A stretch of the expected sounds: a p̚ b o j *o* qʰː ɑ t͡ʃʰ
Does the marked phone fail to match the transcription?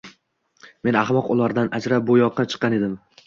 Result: yes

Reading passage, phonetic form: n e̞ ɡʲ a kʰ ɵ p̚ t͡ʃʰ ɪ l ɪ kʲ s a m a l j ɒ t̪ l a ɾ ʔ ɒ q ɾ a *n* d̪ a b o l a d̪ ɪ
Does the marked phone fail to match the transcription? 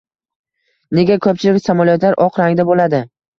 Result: yes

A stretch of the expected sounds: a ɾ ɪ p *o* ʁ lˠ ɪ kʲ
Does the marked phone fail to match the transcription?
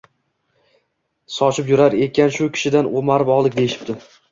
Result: yes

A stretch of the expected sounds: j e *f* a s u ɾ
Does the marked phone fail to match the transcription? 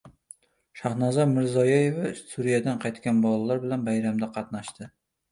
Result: yes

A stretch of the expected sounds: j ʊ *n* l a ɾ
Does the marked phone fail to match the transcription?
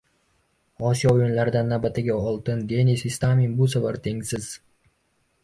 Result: no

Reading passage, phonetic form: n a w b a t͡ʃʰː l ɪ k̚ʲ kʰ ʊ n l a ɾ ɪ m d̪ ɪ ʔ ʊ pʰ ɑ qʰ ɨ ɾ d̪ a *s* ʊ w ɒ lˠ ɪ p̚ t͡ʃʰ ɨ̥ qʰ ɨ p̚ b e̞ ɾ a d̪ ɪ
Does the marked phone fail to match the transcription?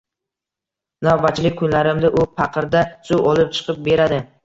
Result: no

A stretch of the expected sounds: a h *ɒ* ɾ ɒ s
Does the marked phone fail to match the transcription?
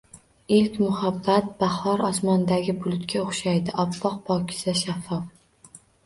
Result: no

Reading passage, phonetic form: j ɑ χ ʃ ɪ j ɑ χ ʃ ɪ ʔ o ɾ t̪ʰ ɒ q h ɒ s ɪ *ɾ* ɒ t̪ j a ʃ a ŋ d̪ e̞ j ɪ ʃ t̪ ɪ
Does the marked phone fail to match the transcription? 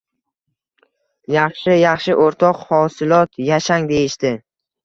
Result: yes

